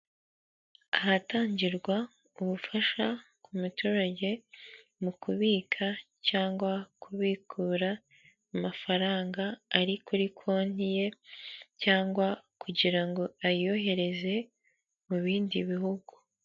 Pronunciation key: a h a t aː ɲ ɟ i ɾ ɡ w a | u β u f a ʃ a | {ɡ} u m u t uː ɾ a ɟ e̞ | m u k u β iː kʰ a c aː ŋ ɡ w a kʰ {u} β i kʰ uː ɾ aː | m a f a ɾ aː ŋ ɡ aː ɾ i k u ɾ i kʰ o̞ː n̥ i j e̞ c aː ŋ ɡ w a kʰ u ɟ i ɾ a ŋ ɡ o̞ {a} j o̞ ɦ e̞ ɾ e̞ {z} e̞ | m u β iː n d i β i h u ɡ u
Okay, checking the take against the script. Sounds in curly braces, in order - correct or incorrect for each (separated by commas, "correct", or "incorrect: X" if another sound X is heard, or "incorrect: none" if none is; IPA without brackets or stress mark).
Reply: incorrect: k, correct, correct, correct